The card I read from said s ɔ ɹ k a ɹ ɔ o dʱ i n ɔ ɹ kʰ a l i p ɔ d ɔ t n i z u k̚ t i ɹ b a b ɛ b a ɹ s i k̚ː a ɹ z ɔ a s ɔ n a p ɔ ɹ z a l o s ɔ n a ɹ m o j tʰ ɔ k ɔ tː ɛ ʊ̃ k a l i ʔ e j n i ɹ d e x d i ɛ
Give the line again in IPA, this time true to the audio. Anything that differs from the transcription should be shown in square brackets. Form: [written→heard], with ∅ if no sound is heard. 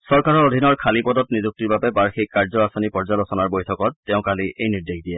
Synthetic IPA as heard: s ɔ ɹ k a ɹ ɔ o dʱ i n ɔ ɹ kʰ a l i p ɔ d ɔ t n i z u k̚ t i ɹ b a b ɛ b a ɹ [s→x] i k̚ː a ɹ z ɔ a s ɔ n [a→i] p ɔ ɹ z a l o s ɔ n a ɹ [m→b] o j tʰ ɔ k ɔ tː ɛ ʊ̃ k a l i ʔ e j n i ɹ d e x d i ɛ